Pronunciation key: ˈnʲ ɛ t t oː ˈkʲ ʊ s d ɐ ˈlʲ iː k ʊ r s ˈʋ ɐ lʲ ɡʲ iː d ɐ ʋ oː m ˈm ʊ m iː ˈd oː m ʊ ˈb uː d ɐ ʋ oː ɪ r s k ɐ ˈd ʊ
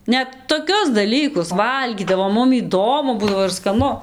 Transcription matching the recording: ˈnʲ ɛ t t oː ˈkʲ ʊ s d ɐ ˈlʲ iː k ʊ s ˈʋ ɐ lʲ ɡʲ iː d ɐ ʋ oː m ˈm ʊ m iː ˈd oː m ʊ ˈb uː d ɐ ʋ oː ɪ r s k ɐ ˈn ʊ